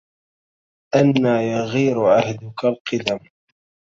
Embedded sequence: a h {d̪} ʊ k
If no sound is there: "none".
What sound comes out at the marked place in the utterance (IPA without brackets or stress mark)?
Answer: d̪